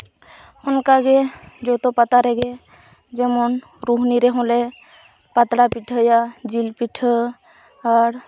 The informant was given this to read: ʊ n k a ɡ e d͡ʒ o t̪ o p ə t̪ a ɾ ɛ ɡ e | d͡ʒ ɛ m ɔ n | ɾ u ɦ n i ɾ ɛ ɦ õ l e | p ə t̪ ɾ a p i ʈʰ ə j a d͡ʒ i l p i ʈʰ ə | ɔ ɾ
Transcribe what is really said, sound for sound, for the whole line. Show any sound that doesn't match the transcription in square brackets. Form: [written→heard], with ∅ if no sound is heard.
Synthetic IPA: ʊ n k a ɡ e d͡ʒ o t̪ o p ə t̪ a ɾ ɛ ɡ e | d͡ʒ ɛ m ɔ n | ɾ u ɦ n i ɾ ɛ ɦ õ l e | p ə t̪ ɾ a p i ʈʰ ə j a d͡ʒ i l p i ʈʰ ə | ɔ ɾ